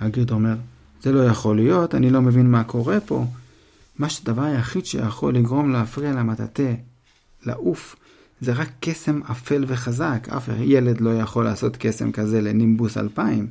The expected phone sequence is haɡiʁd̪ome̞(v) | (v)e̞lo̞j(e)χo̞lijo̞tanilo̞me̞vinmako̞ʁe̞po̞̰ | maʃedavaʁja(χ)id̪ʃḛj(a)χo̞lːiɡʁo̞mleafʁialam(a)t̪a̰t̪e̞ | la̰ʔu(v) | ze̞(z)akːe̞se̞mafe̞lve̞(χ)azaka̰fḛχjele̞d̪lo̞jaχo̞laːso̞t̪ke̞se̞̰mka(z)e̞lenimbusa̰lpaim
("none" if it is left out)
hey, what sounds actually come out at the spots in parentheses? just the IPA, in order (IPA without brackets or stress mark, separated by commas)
ʁ, z, a, χ, a, a, f, ʁ, χ, z